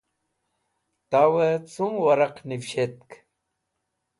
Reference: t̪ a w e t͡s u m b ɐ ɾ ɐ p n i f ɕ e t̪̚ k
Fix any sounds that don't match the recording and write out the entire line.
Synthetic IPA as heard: t̪ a w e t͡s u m w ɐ ɾ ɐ q n i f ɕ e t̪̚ k